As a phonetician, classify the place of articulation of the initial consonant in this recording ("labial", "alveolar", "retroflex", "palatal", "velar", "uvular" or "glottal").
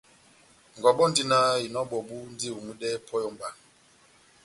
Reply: velar